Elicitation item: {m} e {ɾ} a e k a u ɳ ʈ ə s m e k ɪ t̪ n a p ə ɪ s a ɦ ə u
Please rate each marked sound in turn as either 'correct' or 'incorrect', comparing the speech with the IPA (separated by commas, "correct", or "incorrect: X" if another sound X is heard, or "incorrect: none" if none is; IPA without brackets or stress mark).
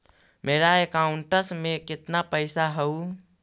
correct, correct